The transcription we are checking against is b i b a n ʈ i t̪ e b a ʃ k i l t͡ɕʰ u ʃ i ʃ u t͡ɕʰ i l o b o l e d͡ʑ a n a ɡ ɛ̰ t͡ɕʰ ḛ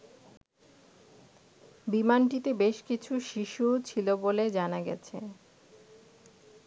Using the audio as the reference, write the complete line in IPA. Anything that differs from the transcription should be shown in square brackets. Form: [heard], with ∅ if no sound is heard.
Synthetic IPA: b i [m] a n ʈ i t̪ e b [e] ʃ k i [∅] t͡ɕʰ u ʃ i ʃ u t͡ɕʰ i l o b o l e d͡ʑ a n a ɡ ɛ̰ t͡ɕʰ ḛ